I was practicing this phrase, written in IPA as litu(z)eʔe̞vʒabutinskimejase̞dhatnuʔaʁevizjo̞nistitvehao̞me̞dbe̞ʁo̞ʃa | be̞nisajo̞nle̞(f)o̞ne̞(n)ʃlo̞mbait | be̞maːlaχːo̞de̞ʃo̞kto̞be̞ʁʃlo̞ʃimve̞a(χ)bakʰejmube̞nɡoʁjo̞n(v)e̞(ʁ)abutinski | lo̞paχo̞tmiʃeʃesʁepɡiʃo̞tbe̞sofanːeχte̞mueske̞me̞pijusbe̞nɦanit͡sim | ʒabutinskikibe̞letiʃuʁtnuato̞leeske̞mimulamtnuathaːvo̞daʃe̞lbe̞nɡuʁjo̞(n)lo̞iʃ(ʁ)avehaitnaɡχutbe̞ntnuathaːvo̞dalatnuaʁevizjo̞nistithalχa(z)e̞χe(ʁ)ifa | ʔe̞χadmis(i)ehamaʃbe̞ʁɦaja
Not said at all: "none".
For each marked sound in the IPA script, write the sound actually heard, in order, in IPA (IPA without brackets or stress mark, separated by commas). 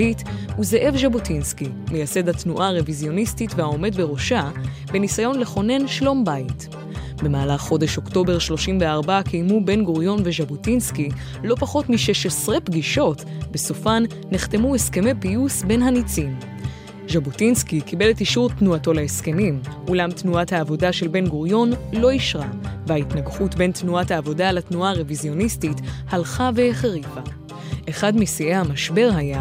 z, χ, n, ʁ, v, ʒ, n, ʁ, v, ʁ, i